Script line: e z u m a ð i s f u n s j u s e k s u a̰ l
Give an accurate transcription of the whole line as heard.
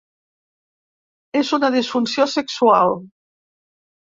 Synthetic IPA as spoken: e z u n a ð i s f u n s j o s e k s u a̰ l